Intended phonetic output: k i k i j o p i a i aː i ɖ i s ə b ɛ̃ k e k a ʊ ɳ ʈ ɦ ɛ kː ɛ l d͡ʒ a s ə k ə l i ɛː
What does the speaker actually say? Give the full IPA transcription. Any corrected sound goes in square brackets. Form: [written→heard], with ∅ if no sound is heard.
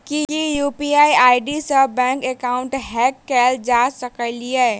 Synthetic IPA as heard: k i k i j [o→u] p i a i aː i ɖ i s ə b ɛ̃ k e k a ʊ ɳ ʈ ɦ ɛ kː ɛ l d͡ʒ a s ə k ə l i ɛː